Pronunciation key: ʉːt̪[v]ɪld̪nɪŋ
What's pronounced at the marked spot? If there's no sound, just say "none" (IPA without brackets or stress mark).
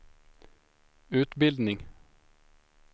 b